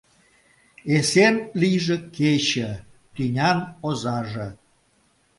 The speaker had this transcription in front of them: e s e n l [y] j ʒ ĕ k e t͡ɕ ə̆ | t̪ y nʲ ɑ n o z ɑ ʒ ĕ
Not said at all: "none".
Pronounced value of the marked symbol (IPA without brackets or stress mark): i